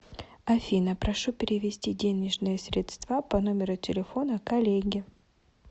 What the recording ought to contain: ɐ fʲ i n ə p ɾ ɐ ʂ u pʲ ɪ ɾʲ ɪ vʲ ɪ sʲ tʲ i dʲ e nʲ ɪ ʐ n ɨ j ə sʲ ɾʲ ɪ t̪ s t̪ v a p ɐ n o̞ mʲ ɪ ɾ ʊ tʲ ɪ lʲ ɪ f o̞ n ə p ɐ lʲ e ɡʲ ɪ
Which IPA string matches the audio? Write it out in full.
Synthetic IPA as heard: ɐ fʲ i n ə p ɾ ɐ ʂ u pʲ ɪ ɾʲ ɪ vʲ ɪ sʲ tʲ i dʲ e nʲ ɪ ʐ n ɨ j ə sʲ ɾʲ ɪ t̪ s t̪ v a p ɐ n o̞ mʲ ɪ ɾ ʊ tʲ ɪ lʲ ɪ f o̞ n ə k ɐ lʲ e ɡʲ ɪ